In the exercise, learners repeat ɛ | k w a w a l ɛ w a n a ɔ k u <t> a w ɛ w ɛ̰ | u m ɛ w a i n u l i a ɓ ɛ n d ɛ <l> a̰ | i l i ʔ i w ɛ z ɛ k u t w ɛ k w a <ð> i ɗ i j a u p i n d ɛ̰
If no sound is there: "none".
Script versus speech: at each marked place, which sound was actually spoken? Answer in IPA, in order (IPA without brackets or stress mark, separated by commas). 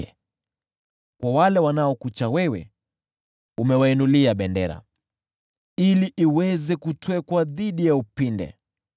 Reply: t͡ʃ, ɾ, ð